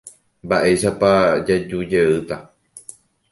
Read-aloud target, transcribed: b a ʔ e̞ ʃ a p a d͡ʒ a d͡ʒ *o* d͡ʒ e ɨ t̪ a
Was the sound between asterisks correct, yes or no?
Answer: no